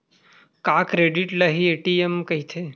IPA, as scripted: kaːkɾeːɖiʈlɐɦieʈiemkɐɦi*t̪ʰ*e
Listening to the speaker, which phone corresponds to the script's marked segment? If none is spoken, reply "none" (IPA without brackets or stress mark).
t̪ʰ